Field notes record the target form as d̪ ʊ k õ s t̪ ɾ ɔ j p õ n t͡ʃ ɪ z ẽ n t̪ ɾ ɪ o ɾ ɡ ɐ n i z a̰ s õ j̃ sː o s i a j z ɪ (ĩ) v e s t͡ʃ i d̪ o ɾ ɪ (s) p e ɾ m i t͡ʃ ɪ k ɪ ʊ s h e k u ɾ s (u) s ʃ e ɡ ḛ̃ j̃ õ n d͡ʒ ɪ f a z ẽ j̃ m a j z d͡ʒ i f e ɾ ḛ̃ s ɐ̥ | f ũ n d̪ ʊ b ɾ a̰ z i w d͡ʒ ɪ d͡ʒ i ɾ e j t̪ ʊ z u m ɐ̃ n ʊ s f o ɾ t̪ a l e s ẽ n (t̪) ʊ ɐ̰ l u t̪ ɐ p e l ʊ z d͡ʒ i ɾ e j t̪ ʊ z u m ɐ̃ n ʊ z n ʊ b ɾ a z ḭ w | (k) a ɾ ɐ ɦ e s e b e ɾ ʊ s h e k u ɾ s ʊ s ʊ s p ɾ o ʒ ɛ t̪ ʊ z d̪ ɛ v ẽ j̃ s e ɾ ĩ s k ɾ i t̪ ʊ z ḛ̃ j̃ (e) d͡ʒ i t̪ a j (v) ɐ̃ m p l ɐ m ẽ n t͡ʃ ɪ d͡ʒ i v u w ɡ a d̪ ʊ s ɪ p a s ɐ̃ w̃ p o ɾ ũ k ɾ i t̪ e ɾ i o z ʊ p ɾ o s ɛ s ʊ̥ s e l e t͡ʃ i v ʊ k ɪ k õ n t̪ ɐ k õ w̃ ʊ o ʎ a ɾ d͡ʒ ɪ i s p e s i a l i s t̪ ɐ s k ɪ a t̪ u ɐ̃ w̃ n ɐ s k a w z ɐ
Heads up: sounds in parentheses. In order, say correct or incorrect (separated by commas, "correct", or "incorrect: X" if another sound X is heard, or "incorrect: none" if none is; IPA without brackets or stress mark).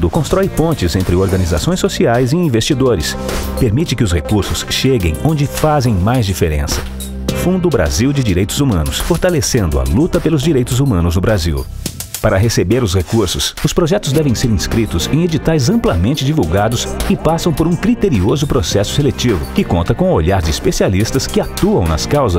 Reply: correct, correct, incorrect: ʊ, incorrect: d̪, incorrect: p, correct, incorrect: z